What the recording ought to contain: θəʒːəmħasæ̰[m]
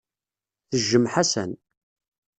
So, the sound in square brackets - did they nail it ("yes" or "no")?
no